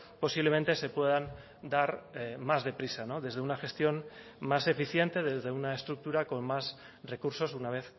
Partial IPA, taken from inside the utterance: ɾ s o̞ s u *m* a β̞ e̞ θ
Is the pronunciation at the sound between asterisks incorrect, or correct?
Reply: incorrect